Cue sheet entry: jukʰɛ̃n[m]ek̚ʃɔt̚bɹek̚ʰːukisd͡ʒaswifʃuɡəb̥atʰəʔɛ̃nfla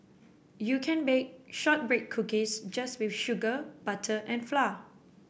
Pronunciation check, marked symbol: incorrect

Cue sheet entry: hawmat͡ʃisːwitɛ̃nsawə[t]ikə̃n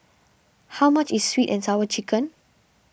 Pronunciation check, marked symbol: incorrect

